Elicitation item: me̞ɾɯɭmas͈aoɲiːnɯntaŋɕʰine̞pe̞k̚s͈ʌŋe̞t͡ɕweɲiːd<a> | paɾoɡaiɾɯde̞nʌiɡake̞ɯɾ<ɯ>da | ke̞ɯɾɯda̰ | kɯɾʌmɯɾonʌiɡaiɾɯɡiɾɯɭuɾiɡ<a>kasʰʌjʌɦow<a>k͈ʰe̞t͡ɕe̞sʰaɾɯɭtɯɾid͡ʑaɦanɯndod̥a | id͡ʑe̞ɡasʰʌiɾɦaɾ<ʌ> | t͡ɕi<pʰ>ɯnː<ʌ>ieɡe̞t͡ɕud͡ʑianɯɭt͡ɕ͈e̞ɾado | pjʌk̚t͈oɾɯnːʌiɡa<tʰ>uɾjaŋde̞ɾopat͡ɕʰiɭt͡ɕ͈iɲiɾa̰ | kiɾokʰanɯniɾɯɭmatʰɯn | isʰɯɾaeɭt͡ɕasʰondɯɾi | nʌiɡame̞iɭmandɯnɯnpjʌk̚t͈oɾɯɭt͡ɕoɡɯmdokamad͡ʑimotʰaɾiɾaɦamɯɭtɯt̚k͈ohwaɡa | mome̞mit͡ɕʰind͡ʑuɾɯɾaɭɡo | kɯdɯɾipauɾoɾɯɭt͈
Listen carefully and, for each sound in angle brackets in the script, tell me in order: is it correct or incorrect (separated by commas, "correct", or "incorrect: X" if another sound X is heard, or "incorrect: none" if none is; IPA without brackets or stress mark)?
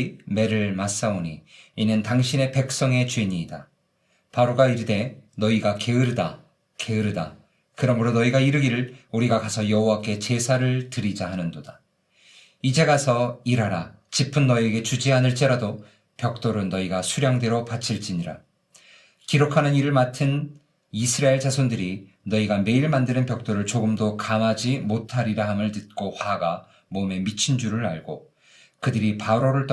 correct, correct, correct, correct, incorrect: a, correct, correct, incorrect: sʰ